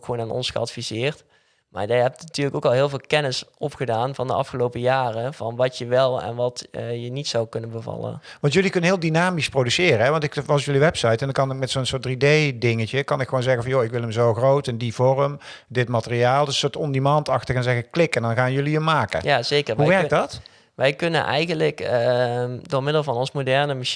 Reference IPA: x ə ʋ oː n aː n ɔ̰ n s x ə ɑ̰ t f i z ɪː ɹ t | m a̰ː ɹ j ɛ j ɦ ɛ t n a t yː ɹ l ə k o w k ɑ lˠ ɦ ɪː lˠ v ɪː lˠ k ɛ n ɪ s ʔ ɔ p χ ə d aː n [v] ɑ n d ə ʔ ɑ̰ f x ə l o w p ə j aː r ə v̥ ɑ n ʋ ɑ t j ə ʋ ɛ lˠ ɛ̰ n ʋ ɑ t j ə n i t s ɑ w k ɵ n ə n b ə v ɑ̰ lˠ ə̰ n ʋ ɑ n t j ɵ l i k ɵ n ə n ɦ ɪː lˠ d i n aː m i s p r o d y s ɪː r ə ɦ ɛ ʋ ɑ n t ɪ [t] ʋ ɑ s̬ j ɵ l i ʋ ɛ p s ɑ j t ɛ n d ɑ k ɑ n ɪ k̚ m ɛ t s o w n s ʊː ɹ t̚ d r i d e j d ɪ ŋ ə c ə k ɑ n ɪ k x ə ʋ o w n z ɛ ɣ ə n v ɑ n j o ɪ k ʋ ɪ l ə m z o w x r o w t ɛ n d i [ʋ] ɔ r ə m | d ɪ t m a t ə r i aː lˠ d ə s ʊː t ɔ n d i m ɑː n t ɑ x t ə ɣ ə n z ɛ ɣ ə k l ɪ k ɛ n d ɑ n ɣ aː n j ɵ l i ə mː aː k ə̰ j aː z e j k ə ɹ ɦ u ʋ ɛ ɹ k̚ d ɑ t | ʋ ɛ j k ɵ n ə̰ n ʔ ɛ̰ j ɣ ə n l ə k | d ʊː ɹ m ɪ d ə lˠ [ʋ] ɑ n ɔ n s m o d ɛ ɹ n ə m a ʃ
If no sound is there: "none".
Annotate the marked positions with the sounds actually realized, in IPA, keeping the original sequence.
v, k, v, v

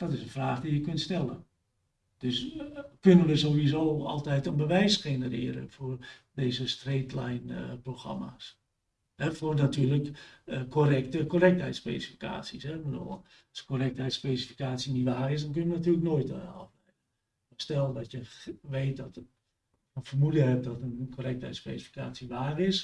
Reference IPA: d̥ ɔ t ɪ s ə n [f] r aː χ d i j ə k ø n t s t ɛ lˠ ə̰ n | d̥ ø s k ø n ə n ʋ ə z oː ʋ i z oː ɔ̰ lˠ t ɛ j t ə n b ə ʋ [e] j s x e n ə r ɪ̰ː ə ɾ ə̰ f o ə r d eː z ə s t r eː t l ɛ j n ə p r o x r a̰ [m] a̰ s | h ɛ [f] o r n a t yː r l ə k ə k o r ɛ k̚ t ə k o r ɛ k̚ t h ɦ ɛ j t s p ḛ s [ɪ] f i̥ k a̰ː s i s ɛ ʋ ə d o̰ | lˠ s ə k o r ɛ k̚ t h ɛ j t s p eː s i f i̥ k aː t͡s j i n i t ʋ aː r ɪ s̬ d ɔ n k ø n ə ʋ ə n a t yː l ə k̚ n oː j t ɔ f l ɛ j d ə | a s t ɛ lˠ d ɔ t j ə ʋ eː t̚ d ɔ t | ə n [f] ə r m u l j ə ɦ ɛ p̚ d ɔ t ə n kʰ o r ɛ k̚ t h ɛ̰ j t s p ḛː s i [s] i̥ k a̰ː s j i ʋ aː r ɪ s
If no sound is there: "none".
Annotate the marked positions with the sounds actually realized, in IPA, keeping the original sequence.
f, ɛ, m, f, i, f, f

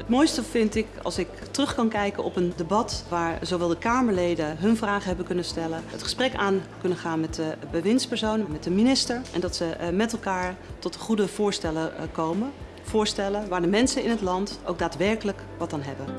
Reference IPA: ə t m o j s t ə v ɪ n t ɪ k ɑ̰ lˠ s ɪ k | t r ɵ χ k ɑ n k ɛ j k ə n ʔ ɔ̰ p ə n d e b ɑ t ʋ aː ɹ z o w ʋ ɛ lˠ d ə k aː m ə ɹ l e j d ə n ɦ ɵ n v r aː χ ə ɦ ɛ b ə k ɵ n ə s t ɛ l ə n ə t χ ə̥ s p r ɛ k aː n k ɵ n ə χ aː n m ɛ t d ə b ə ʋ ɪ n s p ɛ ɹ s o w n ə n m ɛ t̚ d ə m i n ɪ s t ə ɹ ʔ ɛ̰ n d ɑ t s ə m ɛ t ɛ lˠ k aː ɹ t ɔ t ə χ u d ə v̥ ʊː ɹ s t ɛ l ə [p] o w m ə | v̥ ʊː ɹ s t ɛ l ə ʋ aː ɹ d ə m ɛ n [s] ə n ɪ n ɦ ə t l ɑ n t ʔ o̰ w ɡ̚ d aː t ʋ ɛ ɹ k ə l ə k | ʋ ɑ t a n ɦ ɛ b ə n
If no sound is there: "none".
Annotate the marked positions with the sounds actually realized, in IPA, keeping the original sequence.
k, s

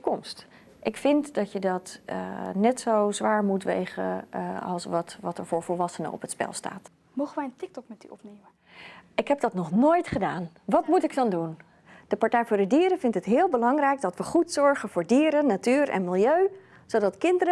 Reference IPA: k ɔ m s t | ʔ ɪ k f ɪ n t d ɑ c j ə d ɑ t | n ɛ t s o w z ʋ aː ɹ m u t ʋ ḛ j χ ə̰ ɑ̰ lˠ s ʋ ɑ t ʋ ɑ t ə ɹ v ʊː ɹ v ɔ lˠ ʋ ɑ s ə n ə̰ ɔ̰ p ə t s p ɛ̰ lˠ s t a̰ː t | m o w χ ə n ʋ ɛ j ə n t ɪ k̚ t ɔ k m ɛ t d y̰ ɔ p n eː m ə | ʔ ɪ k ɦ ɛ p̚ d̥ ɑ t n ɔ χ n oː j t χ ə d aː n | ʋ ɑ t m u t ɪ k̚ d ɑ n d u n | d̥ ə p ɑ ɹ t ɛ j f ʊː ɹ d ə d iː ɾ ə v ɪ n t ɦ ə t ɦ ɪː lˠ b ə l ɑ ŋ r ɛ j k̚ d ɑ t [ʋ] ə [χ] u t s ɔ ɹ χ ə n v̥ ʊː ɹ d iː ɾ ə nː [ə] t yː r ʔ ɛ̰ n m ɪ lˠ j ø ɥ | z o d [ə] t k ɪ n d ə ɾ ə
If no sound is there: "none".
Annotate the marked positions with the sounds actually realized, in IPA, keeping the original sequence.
ʋ, χ, a, ɑ

